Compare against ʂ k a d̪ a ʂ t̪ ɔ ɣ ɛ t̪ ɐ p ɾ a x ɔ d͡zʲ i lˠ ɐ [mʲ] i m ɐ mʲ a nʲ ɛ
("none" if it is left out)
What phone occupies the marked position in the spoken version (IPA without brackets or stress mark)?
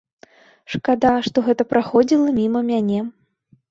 mʲ